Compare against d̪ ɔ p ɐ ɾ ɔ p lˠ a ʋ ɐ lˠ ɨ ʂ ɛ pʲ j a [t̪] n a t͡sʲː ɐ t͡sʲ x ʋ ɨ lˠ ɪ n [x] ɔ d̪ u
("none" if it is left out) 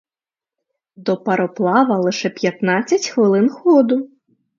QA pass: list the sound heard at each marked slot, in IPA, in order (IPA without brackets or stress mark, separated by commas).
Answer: t̪, x